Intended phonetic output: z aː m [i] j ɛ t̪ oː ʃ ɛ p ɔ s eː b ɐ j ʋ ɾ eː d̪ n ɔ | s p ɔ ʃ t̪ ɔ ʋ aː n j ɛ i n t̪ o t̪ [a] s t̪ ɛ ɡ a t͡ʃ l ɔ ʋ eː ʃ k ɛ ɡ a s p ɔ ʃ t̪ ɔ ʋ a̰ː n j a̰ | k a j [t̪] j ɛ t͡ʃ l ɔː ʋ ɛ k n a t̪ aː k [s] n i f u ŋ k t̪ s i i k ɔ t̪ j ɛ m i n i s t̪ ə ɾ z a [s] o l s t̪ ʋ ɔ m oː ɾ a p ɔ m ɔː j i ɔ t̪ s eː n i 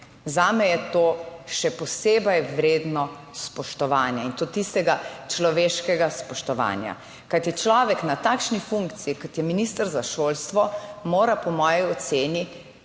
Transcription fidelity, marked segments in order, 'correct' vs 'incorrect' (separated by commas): incorrect, incorrect, correct, incorrect, incorrect